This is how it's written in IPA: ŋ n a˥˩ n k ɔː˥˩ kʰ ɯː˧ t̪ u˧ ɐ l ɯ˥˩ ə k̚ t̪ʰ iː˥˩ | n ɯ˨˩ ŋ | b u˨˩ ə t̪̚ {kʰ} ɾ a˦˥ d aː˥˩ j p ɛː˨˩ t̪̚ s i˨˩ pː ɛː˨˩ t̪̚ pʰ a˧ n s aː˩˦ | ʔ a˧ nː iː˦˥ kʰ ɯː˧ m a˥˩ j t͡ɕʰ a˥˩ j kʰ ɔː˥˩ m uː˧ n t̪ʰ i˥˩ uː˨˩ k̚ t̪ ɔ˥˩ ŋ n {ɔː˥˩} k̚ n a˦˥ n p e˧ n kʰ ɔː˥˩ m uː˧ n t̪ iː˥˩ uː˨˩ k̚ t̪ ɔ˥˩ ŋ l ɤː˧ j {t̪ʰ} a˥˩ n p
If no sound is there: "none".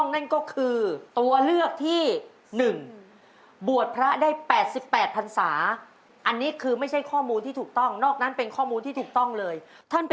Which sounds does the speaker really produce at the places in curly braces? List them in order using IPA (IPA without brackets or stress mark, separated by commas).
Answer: pʰ, ɔː˥˩, t̪ʰ